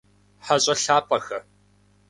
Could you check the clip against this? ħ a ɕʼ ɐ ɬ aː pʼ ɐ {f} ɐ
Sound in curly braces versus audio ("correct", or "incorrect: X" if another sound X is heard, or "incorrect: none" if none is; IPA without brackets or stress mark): incorrect: x